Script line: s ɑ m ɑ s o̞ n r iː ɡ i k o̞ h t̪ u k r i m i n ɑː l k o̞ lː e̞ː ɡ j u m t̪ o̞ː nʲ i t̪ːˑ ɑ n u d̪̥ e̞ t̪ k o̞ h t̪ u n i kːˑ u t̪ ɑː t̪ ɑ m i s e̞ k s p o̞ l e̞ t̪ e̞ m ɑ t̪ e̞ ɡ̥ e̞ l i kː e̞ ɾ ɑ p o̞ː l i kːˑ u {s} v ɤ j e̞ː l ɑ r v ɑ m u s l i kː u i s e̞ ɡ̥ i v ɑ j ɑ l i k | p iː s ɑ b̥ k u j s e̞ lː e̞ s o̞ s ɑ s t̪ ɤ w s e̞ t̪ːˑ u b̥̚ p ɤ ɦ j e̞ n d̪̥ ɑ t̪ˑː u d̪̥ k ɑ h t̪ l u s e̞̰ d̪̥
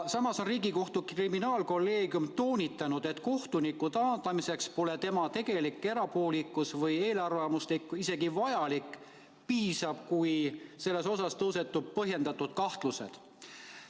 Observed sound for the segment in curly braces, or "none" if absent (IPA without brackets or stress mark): s